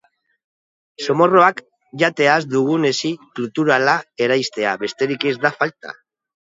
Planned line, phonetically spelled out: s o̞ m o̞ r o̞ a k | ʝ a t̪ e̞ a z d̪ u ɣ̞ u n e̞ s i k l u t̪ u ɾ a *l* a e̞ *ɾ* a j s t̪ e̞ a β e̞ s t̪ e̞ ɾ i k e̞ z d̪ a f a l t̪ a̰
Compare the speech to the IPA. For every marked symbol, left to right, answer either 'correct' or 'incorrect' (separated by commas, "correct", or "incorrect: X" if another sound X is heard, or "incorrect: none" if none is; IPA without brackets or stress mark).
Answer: correct, correct